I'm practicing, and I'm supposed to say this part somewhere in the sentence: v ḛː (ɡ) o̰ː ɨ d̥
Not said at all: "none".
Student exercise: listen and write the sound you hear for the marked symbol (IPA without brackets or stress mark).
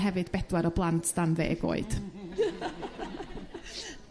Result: ɡ